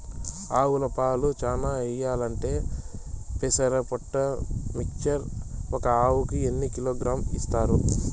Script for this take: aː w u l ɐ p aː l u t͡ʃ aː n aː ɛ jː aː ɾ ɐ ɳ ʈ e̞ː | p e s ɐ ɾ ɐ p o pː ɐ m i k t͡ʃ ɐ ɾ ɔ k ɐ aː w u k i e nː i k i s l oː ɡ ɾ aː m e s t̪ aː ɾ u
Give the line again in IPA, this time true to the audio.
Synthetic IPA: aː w u l ɐ p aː l u t͡ʃ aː n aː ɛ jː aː l ɐ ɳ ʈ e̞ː | p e s ɐ ɾ ɐ p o ʈː ɐ m i k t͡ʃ ɐ ɾ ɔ k ɐ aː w u k i e nː i k i l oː ɡ ɾ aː m i s t̪ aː ɾ u